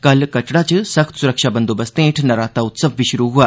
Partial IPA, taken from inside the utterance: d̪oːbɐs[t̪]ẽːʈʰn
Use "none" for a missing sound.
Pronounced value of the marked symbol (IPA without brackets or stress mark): t̪